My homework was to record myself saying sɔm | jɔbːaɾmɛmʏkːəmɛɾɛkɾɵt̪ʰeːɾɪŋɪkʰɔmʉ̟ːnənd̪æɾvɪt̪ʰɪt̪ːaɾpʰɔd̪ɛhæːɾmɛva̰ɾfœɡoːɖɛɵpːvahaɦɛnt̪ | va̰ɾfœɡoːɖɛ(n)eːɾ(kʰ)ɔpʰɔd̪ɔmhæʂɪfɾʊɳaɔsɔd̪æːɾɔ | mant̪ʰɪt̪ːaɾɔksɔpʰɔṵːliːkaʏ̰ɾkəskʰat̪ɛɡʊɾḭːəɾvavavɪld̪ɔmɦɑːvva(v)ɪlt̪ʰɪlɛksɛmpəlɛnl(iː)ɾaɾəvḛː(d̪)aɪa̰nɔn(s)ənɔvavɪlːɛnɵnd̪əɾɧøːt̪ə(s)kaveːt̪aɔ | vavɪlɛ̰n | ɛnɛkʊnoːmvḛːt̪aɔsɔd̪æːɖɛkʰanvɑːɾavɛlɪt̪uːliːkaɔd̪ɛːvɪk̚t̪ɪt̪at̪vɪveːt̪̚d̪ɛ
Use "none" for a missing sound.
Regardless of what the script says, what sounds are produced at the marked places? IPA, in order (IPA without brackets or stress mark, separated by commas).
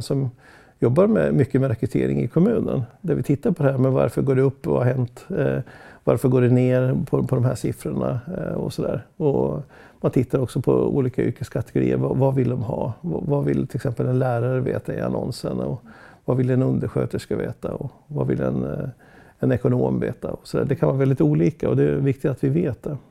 n, pʰ, v, æː, t̪, s, ʂ